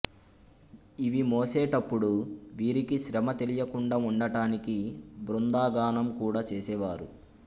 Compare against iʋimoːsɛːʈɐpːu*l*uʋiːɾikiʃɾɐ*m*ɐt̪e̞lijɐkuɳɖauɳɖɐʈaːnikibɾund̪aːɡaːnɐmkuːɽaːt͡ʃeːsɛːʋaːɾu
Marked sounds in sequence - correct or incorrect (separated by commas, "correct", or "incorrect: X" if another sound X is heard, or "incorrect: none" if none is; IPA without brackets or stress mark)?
incorrect: ɽ, correct